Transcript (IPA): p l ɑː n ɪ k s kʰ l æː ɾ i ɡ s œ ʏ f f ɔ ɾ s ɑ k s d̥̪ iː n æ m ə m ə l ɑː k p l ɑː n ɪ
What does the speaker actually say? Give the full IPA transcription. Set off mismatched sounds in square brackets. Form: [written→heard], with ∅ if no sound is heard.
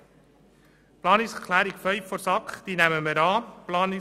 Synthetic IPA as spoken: p l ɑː n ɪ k s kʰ l æː ɾ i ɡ [s→f] œ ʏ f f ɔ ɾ s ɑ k [s→χ] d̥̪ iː n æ m ə m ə [l→ɾ] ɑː [k→∅] p l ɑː n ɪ

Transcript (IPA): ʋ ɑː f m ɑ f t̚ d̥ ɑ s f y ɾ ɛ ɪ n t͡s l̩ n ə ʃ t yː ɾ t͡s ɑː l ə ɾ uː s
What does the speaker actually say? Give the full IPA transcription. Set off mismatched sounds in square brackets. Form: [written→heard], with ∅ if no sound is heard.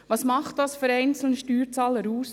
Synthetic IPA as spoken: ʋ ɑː [f→s] m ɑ [f→χ] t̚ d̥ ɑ s f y ɾ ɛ ɪ n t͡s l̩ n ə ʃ t yː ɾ t͡s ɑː l ə ɾ uː s

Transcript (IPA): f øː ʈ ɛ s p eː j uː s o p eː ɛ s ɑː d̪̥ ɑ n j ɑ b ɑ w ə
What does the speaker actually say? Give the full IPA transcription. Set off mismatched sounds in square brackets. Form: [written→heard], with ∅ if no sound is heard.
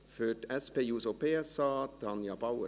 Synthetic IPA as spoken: f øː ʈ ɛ s p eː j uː s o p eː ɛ s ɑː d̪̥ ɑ n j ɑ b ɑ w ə

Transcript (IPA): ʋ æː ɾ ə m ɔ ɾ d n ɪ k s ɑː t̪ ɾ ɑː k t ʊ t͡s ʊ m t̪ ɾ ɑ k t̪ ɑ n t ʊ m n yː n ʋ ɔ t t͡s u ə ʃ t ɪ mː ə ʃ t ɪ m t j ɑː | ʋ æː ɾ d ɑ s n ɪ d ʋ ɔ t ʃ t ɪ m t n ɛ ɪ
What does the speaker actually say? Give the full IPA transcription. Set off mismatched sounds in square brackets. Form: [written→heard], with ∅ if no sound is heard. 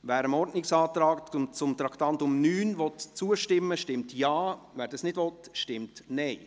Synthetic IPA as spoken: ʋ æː ɾ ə m ɔ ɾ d n ɪ k s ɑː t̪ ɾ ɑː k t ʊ t͡s ʊ m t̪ ɾ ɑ k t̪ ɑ n t ʊ m n yː n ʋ ɔ t t͡s u ə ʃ t ɪ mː ə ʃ t ɪ m t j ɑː | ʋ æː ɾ d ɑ s n ɪ d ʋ ɔ t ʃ t ɪ m t n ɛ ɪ

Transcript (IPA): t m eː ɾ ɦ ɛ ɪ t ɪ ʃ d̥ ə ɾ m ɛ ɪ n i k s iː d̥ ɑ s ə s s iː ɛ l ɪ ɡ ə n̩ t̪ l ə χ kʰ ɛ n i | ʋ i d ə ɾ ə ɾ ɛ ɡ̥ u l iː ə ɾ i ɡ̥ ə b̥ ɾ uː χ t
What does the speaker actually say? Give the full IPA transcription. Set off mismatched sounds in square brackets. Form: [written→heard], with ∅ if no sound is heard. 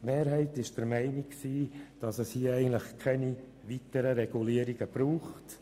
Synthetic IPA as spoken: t m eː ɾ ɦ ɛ ɪ t ɪ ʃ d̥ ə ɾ m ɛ ɪ n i k s iː d̥ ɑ s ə s [s→h] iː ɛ [l→∅] ɪ ɡ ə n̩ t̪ l ə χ kʰ ɛ n i | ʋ i [d→t] ə ɾ ə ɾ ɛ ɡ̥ u l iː ə ɾ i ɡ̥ ə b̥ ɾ uː χ t

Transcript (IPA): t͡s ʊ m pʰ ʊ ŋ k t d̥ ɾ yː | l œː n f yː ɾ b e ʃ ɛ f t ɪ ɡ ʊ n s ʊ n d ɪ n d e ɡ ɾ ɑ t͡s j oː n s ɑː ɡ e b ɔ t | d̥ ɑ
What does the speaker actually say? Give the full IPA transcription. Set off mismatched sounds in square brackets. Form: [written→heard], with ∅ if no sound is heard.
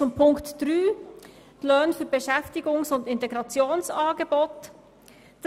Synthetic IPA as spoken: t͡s ʊ m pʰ ʊ ŋ k t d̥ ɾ yː | l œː n f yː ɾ b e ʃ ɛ f t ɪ ɡ ʊ [n→ŋ] s ʊ n d ɪ n [d→t] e ɡ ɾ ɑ t͡s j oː n s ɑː ɡ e b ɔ t | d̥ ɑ

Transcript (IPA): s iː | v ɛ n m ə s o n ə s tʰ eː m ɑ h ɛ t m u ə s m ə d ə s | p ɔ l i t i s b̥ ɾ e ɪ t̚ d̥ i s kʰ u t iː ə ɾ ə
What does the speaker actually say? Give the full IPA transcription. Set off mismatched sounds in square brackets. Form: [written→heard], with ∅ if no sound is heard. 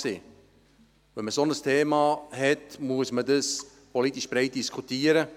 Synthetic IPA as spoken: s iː | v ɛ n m ə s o n ə s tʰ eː m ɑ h ɛ t m u ə s m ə d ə s | p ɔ l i t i [s→ʃ] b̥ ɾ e ɪ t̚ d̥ i s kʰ u t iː ə ɾ ə

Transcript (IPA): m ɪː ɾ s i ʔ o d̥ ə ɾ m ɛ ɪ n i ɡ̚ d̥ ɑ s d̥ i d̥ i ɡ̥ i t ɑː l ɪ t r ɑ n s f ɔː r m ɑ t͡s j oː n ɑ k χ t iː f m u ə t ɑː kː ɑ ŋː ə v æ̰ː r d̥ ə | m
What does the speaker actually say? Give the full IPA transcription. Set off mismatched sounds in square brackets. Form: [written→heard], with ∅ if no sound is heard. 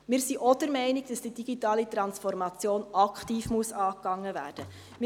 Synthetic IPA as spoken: m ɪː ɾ s i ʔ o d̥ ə ɾ m ɛ ɪ n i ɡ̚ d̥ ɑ s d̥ i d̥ i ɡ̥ i t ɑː l [ɪ→i] t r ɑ n s f [ɔː→ɔ] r m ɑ t͡s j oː n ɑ k χ t iː f m u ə [t→s] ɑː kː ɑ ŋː ə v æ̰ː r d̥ ə | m

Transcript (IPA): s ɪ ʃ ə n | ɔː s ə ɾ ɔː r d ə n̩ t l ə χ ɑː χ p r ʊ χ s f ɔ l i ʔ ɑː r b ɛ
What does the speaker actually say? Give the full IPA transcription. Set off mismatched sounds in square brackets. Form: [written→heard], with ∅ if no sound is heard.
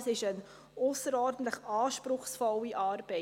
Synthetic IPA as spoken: s ɪ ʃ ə n | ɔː s ə ɾ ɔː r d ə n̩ t l ə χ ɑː [χ→ʃ] p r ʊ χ s f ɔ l i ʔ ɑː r b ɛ

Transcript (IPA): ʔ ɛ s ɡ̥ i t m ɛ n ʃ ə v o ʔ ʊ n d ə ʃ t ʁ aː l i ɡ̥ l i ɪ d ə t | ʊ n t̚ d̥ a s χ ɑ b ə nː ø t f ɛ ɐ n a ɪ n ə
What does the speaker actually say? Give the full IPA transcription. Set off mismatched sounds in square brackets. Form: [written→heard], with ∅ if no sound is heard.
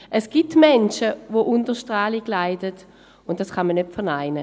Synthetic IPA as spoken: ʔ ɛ s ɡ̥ i t m ɛ n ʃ ə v o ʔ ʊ n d ə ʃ t ʁ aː l i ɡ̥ l [i→a] ɪ d ə t | ʊ n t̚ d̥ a s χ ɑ [b→m] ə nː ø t f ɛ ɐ n a ɪ n ə

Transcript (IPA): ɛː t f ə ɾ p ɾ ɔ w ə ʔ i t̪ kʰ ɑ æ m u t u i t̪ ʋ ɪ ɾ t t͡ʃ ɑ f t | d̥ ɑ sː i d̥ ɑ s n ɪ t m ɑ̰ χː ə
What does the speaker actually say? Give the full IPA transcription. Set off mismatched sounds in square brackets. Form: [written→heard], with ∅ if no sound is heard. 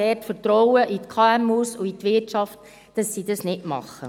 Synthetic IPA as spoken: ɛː t f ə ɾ [p→t] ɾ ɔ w ə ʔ i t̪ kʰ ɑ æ m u [t→s] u i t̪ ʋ ɪ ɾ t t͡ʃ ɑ f t | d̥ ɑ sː i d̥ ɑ s n ɪ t m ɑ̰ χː ə

